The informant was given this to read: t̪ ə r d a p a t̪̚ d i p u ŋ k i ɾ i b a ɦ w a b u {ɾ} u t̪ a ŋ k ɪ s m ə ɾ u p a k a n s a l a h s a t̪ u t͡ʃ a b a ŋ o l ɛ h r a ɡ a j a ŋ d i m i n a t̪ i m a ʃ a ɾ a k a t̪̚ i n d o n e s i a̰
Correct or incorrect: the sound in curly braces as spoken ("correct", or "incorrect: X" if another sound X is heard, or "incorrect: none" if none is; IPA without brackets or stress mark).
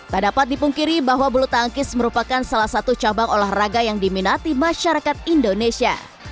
incorrect: l